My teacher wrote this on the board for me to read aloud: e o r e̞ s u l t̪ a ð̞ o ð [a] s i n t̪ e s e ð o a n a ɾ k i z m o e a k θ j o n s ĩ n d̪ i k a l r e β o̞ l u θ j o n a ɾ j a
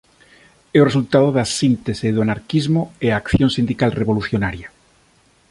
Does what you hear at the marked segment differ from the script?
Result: no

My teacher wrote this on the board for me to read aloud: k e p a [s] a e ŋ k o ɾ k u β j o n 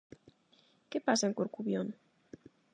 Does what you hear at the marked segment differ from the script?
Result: no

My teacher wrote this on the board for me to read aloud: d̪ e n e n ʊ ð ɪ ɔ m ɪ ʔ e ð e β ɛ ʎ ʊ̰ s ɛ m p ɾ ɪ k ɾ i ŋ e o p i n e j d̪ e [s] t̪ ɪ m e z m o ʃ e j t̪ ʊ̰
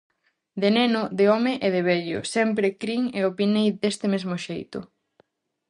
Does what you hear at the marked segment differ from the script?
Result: no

